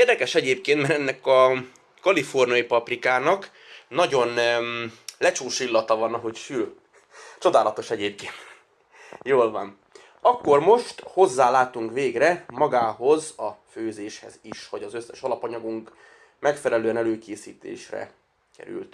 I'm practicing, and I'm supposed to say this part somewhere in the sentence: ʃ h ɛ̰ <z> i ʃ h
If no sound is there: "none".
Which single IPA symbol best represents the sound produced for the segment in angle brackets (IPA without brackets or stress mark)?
z